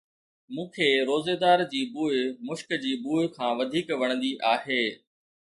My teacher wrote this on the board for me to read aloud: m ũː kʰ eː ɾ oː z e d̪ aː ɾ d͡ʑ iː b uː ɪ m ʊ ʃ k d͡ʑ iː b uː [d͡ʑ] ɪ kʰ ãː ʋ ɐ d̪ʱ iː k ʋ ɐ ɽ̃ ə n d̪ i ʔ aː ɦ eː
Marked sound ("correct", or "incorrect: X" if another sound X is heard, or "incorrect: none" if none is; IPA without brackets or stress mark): incorrect: none